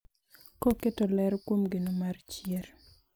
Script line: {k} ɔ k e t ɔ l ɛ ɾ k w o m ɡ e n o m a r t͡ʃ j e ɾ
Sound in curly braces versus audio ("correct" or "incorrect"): correct